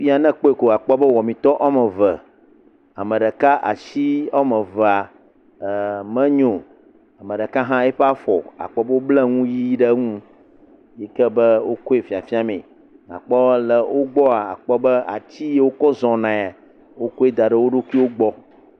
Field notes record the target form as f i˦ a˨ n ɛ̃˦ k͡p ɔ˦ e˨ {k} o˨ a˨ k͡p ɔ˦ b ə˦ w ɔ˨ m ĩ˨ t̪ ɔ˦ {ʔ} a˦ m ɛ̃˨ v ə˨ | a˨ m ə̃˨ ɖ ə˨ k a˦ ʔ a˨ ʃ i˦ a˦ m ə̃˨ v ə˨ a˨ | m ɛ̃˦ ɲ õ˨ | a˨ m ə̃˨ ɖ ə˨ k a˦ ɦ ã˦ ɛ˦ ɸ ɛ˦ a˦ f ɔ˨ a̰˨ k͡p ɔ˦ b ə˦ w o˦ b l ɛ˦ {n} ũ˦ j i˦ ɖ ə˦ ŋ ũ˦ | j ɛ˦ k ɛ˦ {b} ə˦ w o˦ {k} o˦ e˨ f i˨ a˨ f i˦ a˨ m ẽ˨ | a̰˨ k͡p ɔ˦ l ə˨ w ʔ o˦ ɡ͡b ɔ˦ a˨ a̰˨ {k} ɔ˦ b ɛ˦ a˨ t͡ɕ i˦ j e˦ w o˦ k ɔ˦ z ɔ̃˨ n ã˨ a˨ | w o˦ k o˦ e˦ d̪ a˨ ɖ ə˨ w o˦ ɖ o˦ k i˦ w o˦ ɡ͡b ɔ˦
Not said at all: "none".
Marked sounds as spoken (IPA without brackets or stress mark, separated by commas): k, ʔ, ŋ, b, k, k͡p